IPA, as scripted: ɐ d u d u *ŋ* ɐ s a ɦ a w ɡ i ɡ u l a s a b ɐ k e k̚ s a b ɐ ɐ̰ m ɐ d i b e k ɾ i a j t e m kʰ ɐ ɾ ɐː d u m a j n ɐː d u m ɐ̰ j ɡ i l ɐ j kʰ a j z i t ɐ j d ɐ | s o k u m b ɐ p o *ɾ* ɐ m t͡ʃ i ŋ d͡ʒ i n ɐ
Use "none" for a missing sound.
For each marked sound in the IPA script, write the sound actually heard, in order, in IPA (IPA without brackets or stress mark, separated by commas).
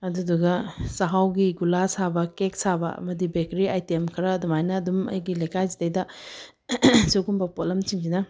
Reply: ɡ, l